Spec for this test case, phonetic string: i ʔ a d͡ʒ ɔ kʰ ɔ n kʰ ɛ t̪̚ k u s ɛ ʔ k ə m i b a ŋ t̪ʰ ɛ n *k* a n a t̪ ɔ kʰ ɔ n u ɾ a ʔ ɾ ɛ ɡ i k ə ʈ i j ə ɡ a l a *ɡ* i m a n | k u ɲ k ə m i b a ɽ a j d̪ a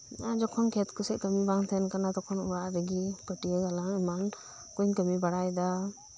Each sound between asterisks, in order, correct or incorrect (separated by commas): correct, incorrect